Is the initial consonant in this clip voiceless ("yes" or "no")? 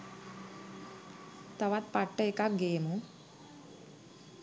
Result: yes